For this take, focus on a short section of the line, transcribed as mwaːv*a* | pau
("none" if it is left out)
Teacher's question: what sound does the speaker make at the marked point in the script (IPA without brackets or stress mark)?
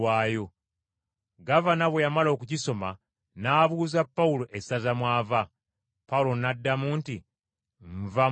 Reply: a